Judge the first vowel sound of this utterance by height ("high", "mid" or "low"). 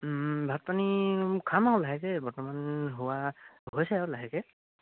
low